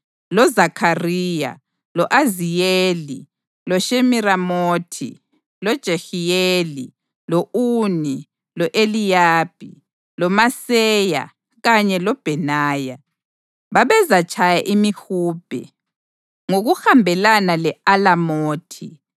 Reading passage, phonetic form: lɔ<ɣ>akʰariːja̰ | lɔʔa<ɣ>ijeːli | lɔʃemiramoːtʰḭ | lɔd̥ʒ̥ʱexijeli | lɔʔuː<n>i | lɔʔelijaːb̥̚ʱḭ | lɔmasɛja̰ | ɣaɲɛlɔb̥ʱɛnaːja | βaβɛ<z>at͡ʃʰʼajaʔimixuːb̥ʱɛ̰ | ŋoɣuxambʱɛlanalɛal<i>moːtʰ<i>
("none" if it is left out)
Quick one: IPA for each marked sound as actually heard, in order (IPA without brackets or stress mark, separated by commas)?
z, z, n, z, a, i